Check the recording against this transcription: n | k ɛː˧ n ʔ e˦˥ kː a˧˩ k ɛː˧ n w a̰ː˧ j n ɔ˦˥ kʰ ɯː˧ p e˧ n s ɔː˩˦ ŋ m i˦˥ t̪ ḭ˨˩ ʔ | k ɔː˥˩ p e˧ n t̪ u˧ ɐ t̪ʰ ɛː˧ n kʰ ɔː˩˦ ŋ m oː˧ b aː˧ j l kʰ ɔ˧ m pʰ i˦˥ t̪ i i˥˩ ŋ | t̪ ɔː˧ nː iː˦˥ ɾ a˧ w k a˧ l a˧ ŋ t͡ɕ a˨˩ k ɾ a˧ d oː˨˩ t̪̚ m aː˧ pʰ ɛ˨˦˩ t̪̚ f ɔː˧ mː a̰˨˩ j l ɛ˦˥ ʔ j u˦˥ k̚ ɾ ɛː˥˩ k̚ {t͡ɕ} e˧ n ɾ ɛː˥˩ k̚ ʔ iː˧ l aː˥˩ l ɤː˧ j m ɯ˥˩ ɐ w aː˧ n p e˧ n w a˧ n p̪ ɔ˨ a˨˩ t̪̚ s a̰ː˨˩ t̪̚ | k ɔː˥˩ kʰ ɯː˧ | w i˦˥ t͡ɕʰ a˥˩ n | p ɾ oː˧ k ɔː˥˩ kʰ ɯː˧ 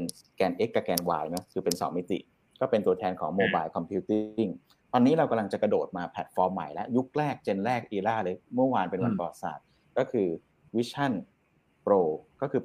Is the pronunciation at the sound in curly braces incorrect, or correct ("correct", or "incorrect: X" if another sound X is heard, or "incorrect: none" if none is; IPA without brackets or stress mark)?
correct